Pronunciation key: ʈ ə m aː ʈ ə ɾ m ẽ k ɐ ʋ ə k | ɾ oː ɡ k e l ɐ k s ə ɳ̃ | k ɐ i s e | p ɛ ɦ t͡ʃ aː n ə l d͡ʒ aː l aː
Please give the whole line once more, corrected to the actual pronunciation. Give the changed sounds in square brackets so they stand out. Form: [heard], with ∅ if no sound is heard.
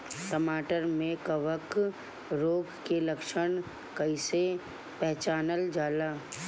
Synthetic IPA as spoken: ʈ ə m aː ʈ ə ɾ m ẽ k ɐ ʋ ə k | ɾ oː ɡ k e l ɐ k [ʃ] ə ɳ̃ | k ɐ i s e | p ɛ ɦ t͡ʃ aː n ə l d͡ʒ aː l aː